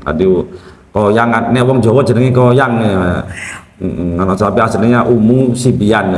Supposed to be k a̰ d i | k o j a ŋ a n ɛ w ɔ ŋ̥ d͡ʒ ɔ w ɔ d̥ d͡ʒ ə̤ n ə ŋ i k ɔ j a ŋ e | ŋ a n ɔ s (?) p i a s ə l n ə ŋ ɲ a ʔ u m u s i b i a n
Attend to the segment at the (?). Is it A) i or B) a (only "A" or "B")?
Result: B